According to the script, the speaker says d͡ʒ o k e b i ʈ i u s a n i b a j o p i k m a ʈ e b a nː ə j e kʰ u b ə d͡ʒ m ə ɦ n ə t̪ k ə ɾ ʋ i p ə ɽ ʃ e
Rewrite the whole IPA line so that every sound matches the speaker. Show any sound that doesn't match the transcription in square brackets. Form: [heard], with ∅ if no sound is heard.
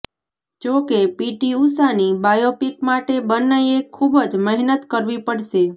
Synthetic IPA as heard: d͡ʒ o k e [p] i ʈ i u s a n i b a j o p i k m a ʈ e b [ə] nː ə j e kʰ u b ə d͡ʒ m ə ɦ n ə t̪ k ə ɾ ʋ i p ə ɽ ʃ e